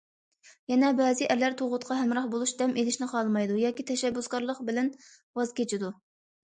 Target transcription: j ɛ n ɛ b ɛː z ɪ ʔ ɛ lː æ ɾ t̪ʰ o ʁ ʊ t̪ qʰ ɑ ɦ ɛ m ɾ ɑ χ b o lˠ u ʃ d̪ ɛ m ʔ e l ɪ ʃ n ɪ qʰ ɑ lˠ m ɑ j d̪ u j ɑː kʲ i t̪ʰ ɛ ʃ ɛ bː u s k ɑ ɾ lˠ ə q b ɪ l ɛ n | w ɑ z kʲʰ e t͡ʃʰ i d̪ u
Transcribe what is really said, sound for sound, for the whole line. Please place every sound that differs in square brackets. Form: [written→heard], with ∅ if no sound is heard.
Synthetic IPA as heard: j ɛ n ɛ b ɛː z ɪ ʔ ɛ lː æ ɾ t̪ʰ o ʁ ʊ t̪ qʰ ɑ ɦ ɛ m ɾ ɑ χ b o lˠ u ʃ d̪ ɛ m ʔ e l ɪ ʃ n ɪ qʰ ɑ lˠ m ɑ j d̪ u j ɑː kʲ i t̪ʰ ɛ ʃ ɛ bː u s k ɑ ɾ lˠ ə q b ɪ l ɛ n | w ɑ z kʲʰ e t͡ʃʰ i d̪ u